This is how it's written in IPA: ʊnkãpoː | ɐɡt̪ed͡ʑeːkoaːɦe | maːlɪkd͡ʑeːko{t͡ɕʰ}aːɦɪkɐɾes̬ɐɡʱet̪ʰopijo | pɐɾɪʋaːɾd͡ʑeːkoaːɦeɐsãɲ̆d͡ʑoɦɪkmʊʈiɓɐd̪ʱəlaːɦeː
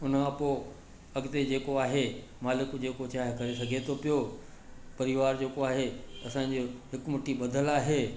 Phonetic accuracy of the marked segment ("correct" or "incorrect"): incorrect